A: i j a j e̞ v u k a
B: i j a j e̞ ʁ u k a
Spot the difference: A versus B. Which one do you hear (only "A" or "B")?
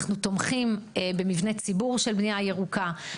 B